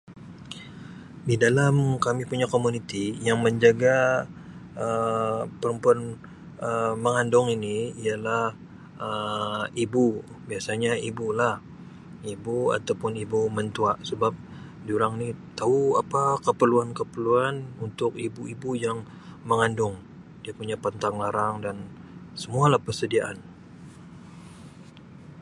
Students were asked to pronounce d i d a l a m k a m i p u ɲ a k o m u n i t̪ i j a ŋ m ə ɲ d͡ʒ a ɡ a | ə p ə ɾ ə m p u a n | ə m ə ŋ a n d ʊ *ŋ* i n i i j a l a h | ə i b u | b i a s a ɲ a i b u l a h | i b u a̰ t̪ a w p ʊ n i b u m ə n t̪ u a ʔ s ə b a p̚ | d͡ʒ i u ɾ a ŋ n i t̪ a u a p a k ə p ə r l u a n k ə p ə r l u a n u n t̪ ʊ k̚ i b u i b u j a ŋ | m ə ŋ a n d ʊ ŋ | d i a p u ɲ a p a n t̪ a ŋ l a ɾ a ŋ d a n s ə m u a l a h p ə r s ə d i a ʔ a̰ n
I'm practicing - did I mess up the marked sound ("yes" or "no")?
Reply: no